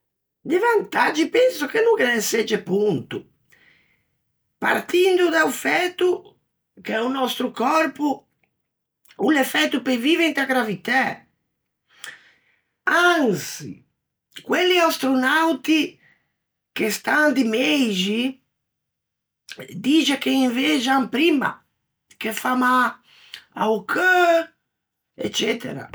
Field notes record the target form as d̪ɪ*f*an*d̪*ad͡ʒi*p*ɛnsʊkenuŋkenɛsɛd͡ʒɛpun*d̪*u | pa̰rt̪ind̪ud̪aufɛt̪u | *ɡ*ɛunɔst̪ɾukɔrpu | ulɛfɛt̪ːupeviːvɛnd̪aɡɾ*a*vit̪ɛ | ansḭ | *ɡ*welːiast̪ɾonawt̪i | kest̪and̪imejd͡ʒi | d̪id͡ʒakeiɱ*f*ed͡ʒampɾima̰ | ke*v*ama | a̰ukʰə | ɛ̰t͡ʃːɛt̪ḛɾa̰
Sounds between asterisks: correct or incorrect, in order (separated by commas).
incorrect, incorrect, correct, incorrect, incorrect, correct, incorrect, incorrect, incorrect